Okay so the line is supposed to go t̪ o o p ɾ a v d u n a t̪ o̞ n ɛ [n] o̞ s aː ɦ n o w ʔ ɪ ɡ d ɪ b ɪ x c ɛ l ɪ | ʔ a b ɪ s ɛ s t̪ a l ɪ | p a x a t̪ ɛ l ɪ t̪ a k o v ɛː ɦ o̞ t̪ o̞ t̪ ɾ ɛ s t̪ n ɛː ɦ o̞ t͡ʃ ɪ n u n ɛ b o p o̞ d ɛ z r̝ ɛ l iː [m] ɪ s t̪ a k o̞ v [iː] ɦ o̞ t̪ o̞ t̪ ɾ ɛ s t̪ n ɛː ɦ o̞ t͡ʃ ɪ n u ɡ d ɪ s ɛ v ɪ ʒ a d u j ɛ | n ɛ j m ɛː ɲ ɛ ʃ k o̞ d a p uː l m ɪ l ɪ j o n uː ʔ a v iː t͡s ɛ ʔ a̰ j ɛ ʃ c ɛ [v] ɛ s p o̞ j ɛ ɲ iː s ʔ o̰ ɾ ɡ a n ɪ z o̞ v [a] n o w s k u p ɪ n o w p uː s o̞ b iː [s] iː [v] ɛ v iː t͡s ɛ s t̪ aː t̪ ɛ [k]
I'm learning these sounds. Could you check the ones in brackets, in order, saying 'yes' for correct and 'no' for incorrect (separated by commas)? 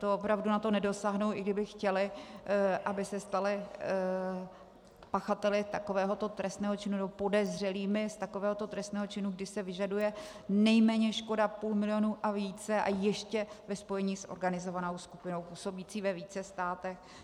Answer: no, yes, no, yes, yes, no, yes, no